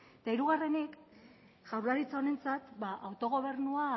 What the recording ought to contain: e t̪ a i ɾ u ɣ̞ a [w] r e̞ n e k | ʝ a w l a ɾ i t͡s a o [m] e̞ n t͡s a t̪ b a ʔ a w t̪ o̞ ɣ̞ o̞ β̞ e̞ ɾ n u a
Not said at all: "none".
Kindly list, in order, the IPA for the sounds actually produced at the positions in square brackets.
none, n

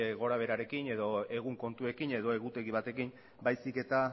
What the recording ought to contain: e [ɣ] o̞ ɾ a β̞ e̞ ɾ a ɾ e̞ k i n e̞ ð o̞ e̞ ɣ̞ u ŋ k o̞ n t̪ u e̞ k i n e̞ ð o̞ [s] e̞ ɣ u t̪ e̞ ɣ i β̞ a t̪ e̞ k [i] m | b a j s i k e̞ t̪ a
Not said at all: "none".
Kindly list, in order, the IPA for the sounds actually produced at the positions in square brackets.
ɣ, none, i

